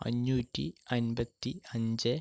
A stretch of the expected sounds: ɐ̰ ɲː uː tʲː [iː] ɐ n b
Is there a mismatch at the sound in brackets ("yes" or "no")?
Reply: yes